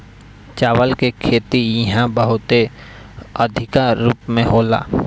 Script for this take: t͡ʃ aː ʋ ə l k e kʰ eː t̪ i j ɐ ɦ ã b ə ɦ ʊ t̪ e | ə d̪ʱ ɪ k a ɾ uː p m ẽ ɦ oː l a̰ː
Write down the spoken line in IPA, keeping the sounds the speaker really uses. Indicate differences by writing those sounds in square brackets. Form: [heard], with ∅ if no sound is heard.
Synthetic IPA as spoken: t͡ʃ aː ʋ ə l k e kʰ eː t̪ i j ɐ ɦ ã b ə ɦ ʊ t̪ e | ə d̪ʱ ɪ k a ɾ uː p m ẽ ɦ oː l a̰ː